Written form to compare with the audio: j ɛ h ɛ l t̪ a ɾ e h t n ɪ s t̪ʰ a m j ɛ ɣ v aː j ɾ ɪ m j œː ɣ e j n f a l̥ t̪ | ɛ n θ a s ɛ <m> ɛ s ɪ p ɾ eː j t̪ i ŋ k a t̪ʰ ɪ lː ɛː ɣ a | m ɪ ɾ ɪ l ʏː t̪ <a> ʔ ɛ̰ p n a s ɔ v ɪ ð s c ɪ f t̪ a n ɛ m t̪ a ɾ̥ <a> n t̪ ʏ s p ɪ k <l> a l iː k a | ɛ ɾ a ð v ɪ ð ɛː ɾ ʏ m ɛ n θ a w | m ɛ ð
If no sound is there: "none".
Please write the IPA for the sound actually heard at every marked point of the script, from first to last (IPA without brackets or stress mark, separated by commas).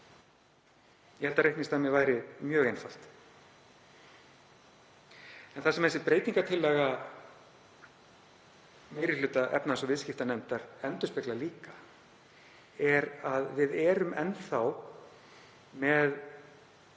m, a, ɛ, l